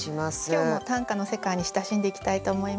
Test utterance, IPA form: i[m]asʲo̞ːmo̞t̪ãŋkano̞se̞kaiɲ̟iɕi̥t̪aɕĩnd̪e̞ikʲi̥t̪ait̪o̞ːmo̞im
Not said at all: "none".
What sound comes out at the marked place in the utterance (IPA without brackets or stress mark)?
m